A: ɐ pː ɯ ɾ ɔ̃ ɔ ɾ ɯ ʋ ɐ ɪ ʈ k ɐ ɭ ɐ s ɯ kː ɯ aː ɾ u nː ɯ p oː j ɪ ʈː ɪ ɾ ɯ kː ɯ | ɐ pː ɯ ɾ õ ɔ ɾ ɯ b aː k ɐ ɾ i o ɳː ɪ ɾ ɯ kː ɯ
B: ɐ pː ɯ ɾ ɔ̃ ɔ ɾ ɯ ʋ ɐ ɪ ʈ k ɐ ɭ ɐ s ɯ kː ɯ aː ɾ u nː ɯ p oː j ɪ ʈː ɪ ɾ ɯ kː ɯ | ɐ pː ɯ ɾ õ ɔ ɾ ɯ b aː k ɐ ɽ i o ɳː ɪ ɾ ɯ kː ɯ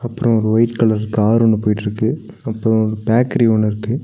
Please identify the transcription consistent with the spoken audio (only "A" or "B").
A